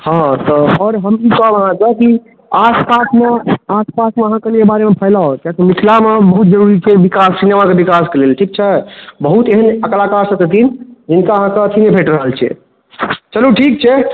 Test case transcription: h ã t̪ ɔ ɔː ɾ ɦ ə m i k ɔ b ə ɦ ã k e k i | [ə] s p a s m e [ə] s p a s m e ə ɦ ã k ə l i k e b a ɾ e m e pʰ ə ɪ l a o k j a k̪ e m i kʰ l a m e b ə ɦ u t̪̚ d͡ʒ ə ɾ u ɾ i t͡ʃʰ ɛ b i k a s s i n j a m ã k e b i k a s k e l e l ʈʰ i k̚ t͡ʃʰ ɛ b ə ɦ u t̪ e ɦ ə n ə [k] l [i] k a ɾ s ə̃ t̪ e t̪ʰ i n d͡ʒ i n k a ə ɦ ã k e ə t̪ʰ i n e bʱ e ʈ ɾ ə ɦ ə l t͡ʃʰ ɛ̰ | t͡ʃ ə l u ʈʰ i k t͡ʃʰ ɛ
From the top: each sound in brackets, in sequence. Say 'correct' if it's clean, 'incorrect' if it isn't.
incorrect: a, incorrect: a, correct, incorrect: a

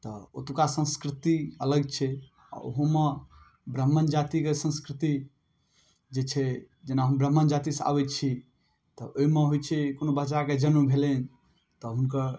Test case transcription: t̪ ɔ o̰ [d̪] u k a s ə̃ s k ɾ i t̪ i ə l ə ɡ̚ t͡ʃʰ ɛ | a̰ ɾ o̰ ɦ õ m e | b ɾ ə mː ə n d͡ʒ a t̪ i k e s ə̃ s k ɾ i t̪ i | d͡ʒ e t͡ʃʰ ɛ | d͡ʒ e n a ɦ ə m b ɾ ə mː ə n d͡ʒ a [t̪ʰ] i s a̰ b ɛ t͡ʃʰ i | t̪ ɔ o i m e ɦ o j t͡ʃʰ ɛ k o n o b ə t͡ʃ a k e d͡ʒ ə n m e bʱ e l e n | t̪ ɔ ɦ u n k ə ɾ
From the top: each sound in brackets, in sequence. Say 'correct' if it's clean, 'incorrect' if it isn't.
incorrect: t̪, incorrect: t̪

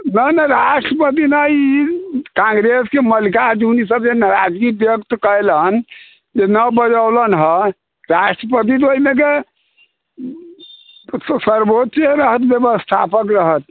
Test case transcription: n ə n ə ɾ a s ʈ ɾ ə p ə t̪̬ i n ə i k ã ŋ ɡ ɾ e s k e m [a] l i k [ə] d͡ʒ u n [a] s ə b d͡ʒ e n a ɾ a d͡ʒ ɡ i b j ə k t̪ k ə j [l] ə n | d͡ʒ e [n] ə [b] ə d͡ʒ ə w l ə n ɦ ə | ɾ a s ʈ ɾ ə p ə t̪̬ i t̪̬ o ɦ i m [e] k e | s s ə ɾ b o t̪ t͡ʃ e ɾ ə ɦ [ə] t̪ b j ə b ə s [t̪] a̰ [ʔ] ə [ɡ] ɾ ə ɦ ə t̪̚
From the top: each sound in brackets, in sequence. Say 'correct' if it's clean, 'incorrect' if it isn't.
incorrect: ə, incorrect: a, incorrect: i, correct, correct, correct, correct, correct, incorrect: t̪ʰ, incorrect: p, incorrect: k

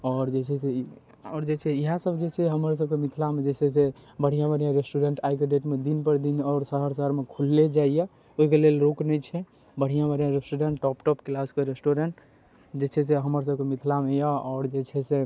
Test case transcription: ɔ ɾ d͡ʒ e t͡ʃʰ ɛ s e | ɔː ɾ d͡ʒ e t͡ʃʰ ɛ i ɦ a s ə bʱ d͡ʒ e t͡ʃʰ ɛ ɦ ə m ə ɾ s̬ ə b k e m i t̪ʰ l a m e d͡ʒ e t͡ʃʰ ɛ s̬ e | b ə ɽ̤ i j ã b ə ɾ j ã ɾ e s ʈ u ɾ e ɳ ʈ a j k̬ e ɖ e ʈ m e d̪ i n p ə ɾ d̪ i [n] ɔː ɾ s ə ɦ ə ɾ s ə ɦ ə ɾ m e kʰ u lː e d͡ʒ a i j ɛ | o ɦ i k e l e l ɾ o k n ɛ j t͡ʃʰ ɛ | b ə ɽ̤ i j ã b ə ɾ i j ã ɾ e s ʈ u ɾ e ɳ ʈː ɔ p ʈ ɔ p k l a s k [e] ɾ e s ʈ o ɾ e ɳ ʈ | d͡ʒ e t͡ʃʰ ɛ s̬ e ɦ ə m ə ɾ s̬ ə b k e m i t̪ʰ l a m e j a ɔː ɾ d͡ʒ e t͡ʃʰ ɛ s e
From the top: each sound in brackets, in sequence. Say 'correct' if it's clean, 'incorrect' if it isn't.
correct, correct

